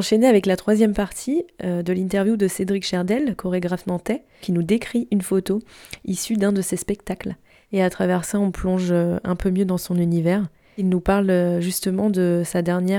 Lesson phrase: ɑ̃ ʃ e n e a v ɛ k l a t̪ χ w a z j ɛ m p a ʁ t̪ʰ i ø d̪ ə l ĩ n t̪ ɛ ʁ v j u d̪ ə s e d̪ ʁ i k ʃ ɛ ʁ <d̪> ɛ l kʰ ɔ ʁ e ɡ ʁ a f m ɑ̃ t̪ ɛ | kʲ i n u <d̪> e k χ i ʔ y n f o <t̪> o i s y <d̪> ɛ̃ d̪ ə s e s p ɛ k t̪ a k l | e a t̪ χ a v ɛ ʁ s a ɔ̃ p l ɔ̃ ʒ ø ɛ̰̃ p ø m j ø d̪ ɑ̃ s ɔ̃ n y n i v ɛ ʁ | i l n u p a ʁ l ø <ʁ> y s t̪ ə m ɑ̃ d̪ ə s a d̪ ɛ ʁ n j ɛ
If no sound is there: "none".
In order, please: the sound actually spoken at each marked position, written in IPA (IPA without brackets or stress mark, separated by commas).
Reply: d̪, d̪, t̪, d̪, ʒ